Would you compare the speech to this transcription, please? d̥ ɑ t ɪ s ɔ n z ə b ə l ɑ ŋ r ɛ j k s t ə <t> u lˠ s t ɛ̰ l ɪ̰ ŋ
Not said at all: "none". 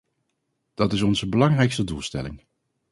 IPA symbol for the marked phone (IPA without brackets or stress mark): d